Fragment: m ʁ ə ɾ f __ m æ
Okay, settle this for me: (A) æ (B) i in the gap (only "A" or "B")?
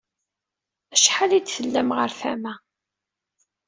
A